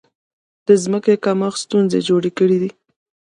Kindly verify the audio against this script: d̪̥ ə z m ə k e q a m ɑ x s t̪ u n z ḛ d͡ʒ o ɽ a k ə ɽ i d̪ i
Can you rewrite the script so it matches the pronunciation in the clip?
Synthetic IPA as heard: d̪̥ ə z m ə k e k a m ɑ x s t̪ u n z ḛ d͡ʒ o ɽ e k ə ɽ i d̪ i

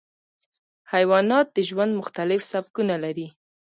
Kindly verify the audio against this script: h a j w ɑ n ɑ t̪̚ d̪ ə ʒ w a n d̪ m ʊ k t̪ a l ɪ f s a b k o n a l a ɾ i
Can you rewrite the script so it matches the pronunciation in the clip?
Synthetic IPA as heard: h a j w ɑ n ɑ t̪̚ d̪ ə ʒ w a n d̪ m ʊ x t̪ a l ɪ f s a b k u n a l a ɾ i

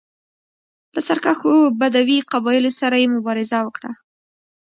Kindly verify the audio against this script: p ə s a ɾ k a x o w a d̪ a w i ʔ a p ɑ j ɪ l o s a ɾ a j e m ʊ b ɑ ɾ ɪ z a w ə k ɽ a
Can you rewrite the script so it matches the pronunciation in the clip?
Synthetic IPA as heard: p ə s a ɾ k a x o b a d̪ a w i q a b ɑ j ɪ l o s a ɾ a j e m ʊ b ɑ ɾ ɪ z a w ə k ɽ a

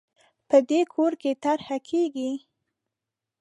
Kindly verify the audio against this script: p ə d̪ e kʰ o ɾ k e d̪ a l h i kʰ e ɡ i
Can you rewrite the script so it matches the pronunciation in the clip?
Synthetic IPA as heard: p ə d̪ e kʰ o ɾ k e t̪ a ɾ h a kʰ e ɡ i

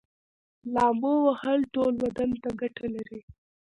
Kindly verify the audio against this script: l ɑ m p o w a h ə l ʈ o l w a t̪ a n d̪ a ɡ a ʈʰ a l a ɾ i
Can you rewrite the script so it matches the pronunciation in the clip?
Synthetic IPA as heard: l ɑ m b o w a h ə l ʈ o l w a d̪ a n t̪ a ɡ a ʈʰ a l a ɾ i

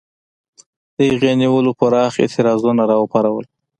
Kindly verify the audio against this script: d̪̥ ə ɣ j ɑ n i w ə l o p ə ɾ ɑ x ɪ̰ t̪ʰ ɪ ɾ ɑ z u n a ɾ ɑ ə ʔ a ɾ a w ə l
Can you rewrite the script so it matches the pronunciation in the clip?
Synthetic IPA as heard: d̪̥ ə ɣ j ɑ n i w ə l o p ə ɾ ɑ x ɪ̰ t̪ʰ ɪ ɾ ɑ z u n a ɾ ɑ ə p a ɾ a w ə l

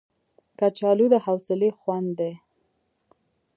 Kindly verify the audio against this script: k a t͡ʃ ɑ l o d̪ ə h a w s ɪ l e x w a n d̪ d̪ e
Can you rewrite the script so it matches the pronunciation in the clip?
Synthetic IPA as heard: k a t͡ʃ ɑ l u d̪ ə h a w s ɪ l e x w a n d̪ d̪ e

